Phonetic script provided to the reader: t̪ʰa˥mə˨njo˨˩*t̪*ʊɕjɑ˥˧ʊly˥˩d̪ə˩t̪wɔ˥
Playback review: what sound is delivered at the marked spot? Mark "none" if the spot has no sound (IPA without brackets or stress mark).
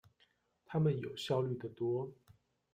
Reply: none